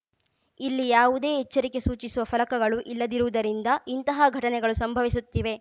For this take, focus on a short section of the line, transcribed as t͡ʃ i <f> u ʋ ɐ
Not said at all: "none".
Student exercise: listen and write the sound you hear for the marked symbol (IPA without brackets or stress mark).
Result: s